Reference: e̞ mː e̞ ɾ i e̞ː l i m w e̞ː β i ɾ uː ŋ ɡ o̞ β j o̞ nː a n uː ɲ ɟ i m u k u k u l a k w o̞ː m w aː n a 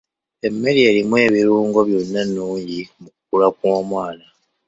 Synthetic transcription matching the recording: e̞ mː e̞ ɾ i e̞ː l i m w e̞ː β i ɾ uː ŋ ɡ o̞ β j o̞ nː a n uː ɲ ɟ i m u k u k u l a k w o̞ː m w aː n a